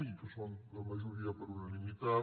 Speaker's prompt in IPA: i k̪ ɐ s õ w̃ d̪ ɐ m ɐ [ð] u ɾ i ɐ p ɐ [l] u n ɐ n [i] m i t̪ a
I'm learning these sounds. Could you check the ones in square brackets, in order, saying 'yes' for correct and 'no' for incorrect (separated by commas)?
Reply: no, no, yes